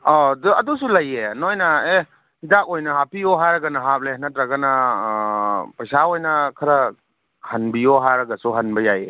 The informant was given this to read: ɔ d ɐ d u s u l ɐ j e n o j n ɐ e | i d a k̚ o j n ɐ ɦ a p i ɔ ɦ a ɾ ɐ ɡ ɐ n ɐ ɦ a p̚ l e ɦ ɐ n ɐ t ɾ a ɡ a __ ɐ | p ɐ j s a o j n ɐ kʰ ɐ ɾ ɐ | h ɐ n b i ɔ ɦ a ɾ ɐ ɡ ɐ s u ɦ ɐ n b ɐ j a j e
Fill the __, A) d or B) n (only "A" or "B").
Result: B